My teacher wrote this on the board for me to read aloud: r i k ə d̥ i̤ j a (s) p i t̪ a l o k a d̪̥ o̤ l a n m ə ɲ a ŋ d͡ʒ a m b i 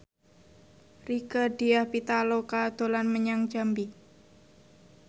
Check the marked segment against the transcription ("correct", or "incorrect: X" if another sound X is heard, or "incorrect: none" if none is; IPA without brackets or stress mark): incorrect: h